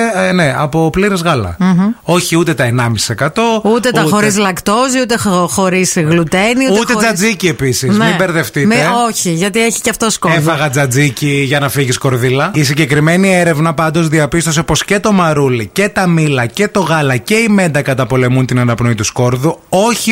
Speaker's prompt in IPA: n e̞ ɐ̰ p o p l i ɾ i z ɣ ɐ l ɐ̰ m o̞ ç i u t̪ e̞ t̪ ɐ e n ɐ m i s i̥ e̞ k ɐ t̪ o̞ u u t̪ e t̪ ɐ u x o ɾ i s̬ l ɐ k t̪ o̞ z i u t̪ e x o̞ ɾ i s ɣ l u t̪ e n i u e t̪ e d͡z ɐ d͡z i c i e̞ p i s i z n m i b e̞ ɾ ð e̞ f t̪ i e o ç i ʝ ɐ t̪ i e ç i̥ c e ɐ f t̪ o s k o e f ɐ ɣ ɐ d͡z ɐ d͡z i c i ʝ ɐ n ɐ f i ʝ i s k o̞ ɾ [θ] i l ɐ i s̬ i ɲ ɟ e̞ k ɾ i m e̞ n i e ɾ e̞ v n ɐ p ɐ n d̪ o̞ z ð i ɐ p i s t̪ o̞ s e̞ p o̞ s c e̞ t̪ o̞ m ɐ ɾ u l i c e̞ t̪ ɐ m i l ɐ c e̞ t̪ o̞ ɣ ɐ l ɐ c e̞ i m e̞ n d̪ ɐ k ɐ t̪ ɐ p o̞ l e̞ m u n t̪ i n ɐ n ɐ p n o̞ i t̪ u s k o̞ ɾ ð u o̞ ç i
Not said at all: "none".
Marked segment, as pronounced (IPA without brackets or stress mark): ð